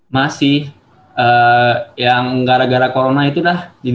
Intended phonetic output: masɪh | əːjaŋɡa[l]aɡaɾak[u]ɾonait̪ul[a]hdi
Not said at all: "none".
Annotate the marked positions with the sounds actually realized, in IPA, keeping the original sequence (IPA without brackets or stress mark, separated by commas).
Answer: ɾ, o, a